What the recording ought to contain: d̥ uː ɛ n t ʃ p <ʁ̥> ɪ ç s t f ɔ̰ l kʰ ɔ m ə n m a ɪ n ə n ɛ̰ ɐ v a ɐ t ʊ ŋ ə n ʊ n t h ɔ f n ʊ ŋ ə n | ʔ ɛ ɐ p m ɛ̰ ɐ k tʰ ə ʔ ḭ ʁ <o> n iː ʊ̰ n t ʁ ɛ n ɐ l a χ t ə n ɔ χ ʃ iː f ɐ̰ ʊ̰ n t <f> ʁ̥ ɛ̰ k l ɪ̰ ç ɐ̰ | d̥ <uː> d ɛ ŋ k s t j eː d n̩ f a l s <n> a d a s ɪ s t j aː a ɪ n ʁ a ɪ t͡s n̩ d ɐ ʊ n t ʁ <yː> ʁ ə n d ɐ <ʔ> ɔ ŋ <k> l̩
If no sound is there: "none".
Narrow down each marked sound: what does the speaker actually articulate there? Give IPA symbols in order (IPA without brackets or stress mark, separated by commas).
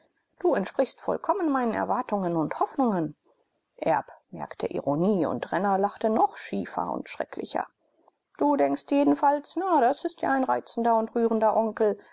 ʁ̥, o, ʃ, uː, n, yː, ʔ, k